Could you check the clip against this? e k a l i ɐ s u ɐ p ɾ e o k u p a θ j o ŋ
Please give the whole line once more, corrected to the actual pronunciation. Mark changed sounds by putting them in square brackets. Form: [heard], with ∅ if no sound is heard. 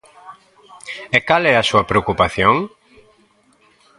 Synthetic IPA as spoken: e k a l [ɛ] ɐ s u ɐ p ɾ e o k u p a θ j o ŋ